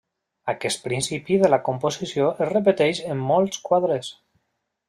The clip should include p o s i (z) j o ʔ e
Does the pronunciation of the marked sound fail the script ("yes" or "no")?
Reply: yes